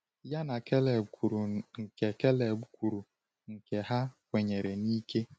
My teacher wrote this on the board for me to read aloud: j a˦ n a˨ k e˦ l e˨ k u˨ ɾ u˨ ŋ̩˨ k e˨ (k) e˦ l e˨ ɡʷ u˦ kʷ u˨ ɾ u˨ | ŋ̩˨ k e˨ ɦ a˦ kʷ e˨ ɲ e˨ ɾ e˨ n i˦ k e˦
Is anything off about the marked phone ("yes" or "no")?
no